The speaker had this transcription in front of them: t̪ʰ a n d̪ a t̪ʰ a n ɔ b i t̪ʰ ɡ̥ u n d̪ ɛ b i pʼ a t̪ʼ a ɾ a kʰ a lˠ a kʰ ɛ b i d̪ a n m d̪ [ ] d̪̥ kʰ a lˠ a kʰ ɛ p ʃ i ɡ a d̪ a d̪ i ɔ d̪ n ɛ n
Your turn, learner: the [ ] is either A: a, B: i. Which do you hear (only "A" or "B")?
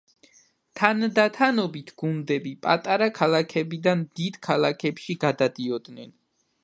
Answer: B